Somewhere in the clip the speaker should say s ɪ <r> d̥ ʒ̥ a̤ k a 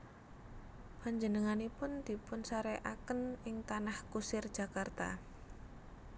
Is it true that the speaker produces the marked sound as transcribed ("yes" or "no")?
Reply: yes